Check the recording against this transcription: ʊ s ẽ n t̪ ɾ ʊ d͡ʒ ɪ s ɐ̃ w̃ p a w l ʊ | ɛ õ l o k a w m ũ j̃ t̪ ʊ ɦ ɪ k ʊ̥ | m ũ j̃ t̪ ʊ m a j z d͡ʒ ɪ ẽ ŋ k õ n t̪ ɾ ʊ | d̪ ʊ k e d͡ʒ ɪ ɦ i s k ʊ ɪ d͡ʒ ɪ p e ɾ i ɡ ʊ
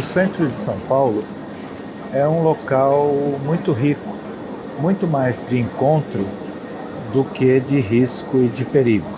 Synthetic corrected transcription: ʊ s ẽ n t̪ ɾ ʊ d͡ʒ ɪ s ɐ̃ w̃ p a w l ʊ | ɛ ũ l o k a w m ũ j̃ t̪ ʊ ɦ i k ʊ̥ | m ũ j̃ t̪ ʊ m a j z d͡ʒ ɪ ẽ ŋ k õ n t̪ ɾ ʊ | d̪ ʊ k e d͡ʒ ɪ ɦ i s k ʊ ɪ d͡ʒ ɪ p e ɾ i ɡ ʊ